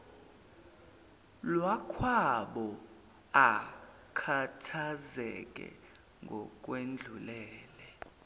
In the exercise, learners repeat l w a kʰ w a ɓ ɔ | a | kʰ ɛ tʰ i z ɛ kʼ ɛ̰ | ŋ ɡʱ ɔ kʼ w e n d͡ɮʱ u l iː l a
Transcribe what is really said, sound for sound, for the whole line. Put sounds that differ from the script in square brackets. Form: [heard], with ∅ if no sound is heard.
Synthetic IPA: l w a kʰ w a ɓ ɔ | a | kʰ [a] tʰ [a] z ɛ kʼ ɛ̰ | ŋ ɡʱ ɔ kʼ w e n d͡ɮʱ u l [ɛː] l [ɛ]